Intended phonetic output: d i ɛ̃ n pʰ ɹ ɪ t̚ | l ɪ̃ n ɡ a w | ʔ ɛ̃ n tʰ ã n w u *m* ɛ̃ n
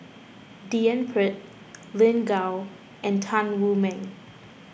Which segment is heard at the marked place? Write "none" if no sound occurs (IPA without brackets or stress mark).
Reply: m